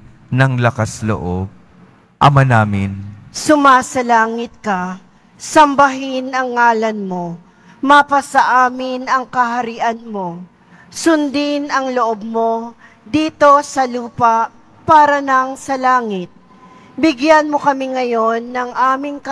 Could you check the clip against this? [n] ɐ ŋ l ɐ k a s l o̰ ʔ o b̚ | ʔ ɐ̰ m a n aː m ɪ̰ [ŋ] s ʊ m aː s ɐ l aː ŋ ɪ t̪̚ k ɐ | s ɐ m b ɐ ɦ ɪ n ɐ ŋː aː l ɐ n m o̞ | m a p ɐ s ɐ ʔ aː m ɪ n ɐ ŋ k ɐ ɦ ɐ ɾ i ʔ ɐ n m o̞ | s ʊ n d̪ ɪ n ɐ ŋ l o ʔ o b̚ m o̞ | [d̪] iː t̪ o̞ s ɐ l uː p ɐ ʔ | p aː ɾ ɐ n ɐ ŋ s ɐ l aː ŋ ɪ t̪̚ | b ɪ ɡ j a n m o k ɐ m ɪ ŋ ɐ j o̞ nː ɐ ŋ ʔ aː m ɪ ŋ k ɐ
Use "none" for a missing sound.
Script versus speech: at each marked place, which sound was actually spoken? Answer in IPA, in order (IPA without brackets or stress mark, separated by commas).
n, n, d̪